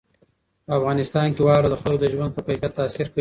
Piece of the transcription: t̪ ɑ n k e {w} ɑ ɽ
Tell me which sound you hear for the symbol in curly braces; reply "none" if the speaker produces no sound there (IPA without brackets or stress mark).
w